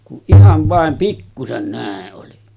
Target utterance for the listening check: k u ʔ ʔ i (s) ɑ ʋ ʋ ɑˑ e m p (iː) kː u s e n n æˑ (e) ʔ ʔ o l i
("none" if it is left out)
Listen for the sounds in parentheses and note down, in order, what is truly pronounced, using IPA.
h, i, e

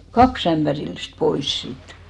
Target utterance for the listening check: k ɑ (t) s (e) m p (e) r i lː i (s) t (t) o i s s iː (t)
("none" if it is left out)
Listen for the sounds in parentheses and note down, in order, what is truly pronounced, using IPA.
k, æ, æ, s, p, t

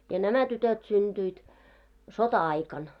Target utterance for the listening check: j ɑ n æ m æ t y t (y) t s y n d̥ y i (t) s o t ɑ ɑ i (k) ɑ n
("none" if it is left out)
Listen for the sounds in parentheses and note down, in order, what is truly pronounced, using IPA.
ø, t, k

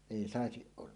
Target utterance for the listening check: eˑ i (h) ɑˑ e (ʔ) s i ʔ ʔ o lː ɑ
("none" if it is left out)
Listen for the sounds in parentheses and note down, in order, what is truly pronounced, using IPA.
s, none

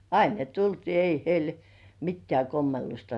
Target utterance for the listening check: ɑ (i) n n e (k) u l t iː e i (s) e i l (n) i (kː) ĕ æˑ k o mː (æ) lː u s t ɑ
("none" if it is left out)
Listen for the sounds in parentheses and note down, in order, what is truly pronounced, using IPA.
i, t, h, m, tː, e

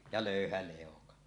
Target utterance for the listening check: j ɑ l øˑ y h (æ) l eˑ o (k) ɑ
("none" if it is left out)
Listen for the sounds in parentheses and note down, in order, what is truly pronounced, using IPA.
æ, k

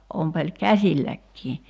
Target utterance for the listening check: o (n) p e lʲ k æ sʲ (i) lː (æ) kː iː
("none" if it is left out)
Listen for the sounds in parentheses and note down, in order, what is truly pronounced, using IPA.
m, i, æ

